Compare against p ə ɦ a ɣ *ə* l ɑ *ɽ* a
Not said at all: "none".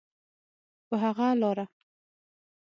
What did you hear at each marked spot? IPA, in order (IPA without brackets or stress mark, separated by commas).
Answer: a, ɾ